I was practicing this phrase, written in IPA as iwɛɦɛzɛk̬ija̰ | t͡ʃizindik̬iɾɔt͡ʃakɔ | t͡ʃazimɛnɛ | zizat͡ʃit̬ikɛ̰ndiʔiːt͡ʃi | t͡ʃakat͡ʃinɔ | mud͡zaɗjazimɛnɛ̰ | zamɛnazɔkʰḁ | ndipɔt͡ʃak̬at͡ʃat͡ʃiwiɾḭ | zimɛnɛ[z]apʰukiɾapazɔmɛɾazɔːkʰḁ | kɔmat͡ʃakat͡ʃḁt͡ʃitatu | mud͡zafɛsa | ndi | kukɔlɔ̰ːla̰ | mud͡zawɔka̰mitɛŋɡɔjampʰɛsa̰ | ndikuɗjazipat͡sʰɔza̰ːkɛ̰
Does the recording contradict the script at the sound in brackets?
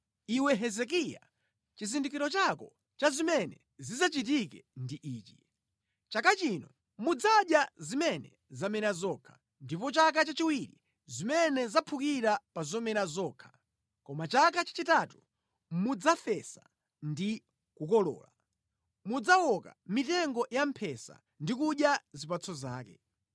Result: no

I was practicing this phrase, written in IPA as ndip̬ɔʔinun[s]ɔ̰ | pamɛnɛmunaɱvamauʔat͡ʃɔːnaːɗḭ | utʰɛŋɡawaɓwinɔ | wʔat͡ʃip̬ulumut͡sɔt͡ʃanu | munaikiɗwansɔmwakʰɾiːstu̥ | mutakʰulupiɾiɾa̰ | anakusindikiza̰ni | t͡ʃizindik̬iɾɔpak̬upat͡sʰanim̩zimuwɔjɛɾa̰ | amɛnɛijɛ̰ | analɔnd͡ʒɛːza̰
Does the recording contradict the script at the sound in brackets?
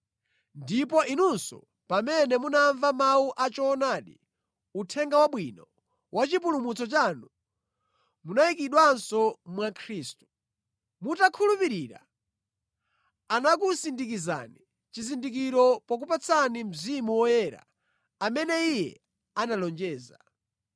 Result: no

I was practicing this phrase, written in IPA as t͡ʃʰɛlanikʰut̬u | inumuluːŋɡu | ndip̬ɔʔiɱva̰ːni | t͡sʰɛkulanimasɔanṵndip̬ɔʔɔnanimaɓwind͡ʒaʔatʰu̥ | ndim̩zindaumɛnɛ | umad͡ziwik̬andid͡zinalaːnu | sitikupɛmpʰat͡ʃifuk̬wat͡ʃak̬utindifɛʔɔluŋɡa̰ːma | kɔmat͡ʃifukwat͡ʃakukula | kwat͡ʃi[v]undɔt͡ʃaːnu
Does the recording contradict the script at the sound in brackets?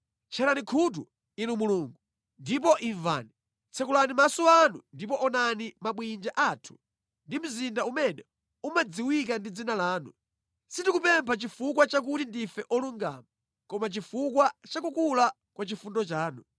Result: yes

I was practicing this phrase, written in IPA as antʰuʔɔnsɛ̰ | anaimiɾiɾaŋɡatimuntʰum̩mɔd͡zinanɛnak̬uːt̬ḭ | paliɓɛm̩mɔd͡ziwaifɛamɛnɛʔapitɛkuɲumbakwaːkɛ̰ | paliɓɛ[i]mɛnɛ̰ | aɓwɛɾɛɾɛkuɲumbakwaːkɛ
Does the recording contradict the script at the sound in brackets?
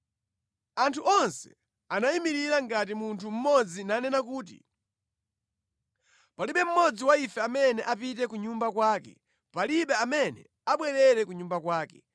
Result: yes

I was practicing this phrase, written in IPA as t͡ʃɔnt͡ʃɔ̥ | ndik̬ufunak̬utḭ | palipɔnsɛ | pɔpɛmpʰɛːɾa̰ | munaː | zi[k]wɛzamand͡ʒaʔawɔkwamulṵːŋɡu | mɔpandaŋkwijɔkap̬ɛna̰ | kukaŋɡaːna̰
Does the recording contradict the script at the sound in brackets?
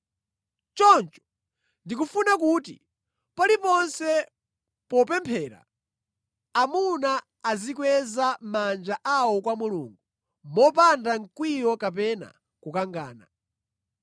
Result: no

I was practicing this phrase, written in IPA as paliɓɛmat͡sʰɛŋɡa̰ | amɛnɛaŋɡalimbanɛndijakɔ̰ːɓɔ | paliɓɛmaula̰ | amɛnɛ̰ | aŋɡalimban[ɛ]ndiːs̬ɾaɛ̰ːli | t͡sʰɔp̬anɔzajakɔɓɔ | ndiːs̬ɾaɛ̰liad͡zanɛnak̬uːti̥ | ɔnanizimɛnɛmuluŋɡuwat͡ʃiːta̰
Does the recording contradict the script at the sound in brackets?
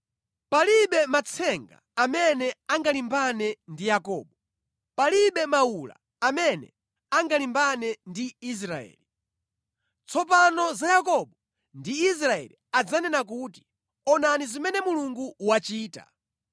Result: no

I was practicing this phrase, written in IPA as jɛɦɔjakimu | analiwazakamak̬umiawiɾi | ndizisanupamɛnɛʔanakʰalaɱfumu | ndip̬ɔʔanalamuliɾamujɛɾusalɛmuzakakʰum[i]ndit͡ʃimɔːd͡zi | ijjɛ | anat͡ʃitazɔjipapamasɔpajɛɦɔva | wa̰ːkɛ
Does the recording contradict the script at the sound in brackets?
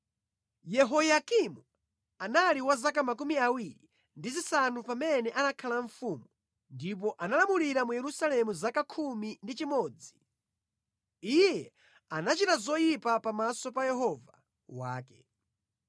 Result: no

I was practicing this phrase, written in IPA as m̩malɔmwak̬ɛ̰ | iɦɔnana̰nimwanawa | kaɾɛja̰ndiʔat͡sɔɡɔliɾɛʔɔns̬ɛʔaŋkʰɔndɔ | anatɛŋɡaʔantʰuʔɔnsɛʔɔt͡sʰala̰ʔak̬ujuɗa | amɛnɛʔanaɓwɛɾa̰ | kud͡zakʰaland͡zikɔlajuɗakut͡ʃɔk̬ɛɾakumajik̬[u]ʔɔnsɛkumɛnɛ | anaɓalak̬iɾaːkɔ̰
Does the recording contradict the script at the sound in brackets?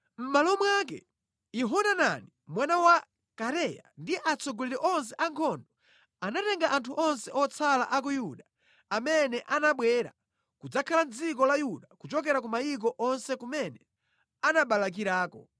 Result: yes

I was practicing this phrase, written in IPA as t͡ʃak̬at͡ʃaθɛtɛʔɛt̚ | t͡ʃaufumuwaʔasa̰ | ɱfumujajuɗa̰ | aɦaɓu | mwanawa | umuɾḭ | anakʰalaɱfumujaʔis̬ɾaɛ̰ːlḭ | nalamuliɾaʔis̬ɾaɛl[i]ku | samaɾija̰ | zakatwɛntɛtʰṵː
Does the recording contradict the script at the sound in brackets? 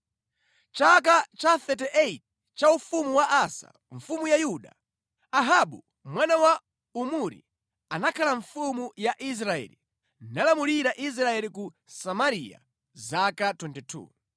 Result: no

